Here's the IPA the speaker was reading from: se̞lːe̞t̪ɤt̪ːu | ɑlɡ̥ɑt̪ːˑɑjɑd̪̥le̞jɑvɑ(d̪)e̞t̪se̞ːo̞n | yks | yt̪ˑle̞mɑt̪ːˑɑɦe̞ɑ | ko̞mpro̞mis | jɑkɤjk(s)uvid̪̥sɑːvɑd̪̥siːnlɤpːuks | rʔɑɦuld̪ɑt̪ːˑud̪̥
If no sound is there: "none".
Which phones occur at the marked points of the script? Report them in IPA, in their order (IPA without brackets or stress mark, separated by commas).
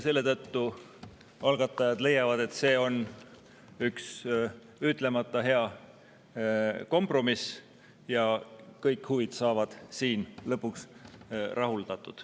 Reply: d̪, h